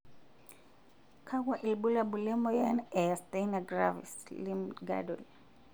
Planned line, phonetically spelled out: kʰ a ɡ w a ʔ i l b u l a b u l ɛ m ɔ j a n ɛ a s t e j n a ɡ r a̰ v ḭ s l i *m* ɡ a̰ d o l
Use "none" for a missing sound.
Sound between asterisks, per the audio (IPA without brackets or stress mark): m